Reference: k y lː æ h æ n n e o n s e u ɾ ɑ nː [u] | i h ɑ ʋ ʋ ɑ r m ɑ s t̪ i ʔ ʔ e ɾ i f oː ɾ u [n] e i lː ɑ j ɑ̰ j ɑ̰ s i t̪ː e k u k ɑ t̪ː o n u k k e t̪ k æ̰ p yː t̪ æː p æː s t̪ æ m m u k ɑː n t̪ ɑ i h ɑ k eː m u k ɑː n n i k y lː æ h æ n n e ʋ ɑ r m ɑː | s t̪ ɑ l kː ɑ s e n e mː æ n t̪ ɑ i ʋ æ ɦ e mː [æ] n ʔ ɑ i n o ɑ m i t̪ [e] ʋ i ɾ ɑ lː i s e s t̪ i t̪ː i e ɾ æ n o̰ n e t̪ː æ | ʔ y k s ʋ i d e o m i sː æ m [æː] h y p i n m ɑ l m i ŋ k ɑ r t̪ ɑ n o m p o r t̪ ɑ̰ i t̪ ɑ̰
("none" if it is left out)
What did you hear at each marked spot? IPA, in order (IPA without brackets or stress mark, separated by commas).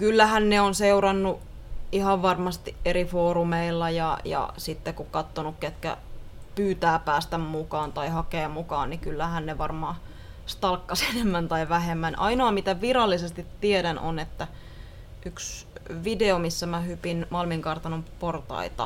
u, m, æ, æ, æ